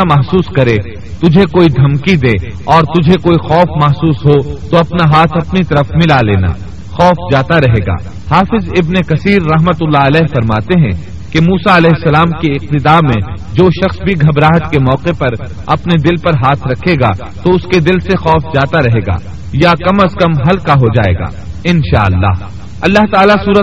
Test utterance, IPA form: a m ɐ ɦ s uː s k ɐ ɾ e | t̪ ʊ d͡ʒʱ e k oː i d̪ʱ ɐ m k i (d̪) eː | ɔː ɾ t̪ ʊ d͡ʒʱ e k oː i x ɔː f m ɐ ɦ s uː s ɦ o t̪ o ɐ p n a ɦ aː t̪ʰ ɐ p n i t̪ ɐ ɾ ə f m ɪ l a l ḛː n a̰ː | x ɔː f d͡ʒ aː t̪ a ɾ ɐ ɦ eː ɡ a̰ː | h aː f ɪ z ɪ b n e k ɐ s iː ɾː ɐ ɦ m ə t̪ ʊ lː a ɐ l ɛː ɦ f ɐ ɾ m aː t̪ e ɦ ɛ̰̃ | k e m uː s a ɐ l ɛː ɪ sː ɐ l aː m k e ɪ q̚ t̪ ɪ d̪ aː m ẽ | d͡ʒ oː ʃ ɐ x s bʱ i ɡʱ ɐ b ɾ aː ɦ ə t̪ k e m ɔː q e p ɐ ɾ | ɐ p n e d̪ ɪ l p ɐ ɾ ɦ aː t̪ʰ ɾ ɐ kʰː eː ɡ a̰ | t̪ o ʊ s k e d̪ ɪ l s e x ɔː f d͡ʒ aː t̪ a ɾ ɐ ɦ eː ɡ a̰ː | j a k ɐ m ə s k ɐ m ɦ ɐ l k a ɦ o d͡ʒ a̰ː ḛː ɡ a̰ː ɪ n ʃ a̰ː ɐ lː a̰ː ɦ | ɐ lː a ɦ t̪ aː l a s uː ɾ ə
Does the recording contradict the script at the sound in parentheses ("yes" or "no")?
no